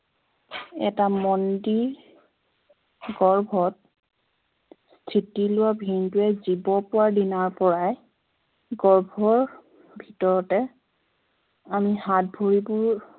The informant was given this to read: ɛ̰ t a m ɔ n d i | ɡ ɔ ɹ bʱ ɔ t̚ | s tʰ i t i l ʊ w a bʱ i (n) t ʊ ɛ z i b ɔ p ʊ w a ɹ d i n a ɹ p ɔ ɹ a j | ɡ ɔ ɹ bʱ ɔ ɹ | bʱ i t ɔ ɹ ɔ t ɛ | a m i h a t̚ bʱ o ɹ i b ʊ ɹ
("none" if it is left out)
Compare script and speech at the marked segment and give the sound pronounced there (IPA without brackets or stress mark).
n